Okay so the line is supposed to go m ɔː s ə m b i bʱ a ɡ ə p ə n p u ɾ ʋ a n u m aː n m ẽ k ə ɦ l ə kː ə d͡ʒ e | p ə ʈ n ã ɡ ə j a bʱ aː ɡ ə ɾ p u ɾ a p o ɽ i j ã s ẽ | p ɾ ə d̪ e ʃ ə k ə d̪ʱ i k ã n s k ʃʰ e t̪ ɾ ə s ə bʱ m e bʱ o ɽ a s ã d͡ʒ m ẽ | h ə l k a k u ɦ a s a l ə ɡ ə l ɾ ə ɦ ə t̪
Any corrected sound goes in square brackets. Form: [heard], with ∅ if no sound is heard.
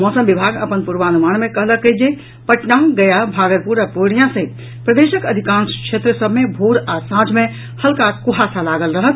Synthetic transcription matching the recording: m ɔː s ə m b i bʱ a ɡ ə p ə n p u ɾ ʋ a n u m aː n m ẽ k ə ɦ l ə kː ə d͡ʒ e | p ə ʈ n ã ɡ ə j a bʱ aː ɡ ə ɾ p u ɾ a p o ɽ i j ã s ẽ | p ɾ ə d̪ e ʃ ə k ə d̪ʱ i k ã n s k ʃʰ e t̪ ɾ ə s ə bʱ m e bʱ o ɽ a s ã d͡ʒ m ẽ | h ə l k a k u ɦ a s a l [a] ɡ ə l ɾ ə ɦ ə t̪